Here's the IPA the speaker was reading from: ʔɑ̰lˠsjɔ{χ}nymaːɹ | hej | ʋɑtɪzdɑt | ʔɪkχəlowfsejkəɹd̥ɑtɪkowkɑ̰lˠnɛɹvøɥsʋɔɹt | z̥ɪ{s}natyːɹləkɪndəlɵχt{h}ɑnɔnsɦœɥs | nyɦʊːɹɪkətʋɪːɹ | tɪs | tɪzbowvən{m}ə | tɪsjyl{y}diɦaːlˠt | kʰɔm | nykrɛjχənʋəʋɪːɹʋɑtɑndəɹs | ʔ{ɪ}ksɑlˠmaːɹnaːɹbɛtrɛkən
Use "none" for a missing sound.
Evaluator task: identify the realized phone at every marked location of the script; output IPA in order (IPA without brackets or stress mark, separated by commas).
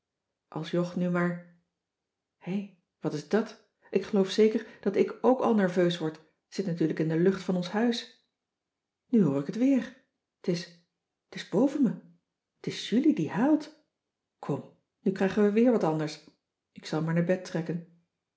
χ, t, f, m, i, ɪ